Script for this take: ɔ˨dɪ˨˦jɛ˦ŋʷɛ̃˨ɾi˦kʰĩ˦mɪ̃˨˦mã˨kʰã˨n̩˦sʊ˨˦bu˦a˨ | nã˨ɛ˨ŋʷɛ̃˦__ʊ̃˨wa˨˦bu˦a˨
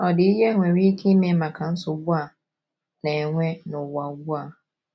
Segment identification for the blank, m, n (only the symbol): n